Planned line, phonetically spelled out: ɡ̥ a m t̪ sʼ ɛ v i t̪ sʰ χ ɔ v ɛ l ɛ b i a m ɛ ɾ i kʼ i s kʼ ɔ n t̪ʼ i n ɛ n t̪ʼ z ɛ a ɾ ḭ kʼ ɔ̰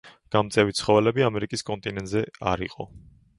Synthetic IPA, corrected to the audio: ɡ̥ a m t̪ sʼ ɛ v i t̪ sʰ χ ɔ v ɛ l ɛ b i a m ɛ ɾ i kʼ i s kʼ ɔ n t̪ʼ i n ɛ n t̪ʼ z ɛ a ɾ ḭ qʼ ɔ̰